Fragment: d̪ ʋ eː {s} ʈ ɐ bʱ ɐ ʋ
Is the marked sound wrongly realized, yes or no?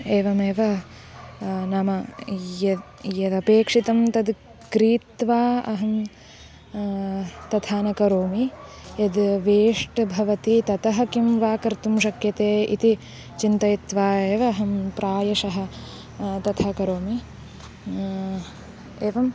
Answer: yes